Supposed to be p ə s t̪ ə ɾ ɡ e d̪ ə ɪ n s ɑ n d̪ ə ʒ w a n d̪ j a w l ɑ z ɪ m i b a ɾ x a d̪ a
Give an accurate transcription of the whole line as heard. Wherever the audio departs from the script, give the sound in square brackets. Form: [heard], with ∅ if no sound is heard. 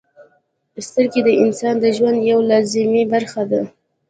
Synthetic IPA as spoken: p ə s t̪ ə ɾ [k] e d̪ ə ɪ n s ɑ n d̪ ə ʒ w a n d̪ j a w l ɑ z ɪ m i b a ɾ x a d̪ a